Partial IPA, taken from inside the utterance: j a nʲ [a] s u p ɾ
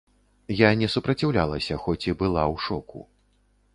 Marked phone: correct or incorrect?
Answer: incorrect